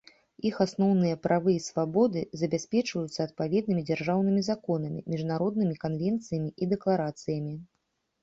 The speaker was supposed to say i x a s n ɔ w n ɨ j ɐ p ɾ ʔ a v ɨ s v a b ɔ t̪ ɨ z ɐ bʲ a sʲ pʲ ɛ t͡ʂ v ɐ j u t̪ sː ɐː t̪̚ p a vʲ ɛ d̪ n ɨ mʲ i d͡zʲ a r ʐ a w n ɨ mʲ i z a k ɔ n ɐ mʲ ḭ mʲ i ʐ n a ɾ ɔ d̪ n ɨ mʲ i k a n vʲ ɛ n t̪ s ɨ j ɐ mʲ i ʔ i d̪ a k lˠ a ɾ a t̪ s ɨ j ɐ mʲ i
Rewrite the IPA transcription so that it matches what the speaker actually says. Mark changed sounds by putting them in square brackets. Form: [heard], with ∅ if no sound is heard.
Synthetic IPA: i x a s n ɔ w n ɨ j ɐ p ɾ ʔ a v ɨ s v a b ɔ [d̪] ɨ z ɐ bʲ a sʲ pʲ ɛ t͡ʂ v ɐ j u t̪ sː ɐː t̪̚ p a vʲ ɛ d̪ n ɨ mʲ i d͡zʲ a r ʐ a w n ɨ mʲ i z a k ɔ n ɐ mʲ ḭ mʲ i ʐ n a ɾ ɔ d̪ n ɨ mʲ i k a n vʲ ɛ n t̪ s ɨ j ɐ mʲ i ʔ i d̪ [ɛ] k lˠ a ɾ a t̪ s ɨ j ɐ mʲ i